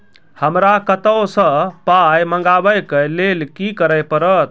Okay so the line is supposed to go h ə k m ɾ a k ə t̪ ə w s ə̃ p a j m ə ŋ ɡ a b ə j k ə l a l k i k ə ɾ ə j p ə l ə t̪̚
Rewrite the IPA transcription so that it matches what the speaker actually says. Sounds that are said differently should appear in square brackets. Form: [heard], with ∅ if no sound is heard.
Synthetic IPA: h ə [∅] m ɾ a k ə t̪ ə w s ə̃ p a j m ə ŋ ɡ a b ə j k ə l [e] l k i k ə ɾ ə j p ə [ɾ] ə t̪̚